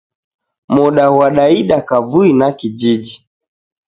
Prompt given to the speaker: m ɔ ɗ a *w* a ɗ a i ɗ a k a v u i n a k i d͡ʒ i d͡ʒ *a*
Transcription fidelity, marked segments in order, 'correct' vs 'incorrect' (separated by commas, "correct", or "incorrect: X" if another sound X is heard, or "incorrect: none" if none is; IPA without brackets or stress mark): correct, incorrect: i